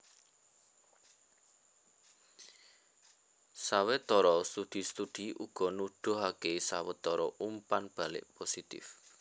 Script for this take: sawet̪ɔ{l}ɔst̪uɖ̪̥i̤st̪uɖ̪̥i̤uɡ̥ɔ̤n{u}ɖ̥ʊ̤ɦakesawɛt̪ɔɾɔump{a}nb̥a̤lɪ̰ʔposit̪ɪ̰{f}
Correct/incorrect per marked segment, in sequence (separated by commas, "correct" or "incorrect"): incorrect, correct, correct, correct